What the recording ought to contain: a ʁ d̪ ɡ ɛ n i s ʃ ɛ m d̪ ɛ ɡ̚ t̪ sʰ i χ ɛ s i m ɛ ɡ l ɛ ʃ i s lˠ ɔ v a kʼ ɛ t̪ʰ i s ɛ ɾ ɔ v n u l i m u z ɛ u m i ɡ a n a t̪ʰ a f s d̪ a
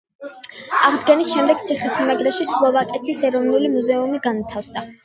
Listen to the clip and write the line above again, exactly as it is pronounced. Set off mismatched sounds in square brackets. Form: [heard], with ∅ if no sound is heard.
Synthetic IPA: a ʁ d̪ ɡ ɛ n i s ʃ ɛ m d̪ ɛ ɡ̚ t̪ sʰ i χ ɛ s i m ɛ ɡ [ɾ] ɛ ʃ i s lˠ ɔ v a kʼ ɛ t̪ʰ i s ɛ ɾ ɔ v n u l i m u z ɛ u m i ɡ a n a t̪ʰ a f s d̪ a